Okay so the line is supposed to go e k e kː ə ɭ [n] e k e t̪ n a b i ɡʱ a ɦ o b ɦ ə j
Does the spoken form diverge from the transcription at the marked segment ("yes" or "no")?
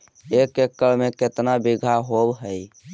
yes